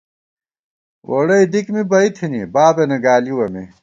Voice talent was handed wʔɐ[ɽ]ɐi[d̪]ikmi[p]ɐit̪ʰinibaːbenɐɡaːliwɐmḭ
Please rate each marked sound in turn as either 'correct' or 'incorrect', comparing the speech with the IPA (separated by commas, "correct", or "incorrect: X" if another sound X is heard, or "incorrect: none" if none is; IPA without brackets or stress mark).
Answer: correct, correct, incorrect: b